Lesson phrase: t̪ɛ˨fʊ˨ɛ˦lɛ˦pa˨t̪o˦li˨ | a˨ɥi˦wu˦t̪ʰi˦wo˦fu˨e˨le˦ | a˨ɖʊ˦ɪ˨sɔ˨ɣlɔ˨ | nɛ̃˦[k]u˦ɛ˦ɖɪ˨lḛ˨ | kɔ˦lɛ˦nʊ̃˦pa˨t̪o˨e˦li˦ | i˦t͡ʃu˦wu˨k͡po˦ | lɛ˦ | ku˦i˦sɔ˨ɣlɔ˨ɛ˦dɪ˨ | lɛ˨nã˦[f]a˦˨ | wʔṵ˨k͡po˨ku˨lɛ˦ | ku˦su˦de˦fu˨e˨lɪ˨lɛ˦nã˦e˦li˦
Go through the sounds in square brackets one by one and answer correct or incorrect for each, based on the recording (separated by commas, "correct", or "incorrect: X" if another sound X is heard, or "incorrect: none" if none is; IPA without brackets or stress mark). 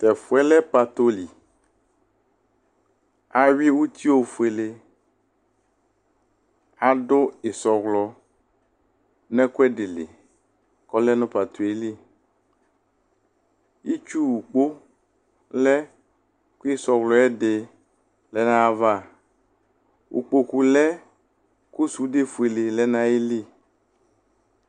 correct, incorrect: v